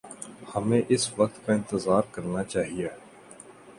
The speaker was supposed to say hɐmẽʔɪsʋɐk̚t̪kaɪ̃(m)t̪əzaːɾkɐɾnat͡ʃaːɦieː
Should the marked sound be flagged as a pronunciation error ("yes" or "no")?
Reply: yes